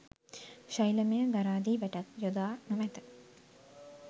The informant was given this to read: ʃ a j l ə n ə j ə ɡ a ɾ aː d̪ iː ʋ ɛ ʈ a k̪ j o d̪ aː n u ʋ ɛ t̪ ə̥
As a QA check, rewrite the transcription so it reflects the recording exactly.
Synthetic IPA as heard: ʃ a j l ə m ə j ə ɡ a ɾ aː d̪ iː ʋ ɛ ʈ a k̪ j o d̪ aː n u ʋ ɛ t̪ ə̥